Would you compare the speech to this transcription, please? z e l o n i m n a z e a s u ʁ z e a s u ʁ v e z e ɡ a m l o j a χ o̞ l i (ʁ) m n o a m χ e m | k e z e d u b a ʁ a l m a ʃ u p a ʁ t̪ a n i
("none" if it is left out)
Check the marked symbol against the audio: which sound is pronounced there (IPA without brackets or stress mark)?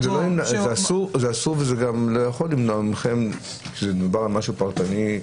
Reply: none